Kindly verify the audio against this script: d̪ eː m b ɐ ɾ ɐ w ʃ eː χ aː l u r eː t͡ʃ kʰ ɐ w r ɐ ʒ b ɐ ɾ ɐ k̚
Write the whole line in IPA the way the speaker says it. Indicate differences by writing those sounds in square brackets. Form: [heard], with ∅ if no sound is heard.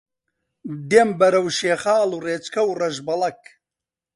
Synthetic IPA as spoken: d̪ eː m b ɐ ɾ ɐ w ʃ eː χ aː l u r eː t͡ʃ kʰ ɐ w r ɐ ʒ b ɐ [l] ɐ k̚